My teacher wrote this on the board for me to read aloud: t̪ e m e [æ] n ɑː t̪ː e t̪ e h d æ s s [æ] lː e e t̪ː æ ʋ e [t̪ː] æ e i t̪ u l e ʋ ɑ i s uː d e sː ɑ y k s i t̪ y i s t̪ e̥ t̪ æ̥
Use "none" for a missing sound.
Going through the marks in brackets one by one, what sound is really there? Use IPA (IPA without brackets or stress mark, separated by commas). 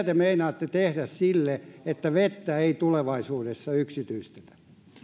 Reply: i, i, t̪ː